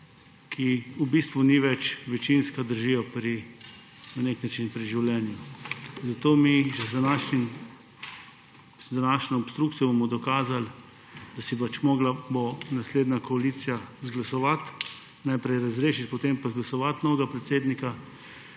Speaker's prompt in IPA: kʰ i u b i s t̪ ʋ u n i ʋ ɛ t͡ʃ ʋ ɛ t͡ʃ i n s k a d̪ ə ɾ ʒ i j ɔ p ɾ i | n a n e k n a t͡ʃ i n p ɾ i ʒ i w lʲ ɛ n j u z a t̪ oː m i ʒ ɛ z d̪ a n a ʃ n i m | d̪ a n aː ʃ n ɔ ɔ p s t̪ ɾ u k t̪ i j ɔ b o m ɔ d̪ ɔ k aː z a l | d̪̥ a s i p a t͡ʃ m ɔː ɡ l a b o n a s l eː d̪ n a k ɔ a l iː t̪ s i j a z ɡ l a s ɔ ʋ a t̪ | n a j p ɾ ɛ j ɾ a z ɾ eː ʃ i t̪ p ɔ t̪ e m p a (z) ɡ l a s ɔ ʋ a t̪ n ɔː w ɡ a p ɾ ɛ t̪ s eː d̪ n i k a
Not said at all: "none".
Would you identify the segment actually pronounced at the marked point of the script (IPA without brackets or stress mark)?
z